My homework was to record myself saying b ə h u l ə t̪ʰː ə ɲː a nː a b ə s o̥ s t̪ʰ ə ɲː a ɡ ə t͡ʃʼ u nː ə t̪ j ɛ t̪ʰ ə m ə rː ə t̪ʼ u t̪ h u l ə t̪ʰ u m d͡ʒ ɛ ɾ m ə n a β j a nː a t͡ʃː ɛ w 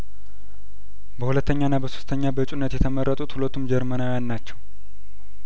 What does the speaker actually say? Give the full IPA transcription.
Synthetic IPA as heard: b ə h u l ə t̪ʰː ə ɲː a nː a b ə s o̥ s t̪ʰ ə ɲː a b ə t͡ʃʼ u nː ə t̪ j ɛ t̪ʰ ə m ə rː ə t̪ʼ u t̪ h u l ə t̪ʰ u m d͡ʒ ɛ ɾ m ə n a w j a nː a t͡ʃː ɛ w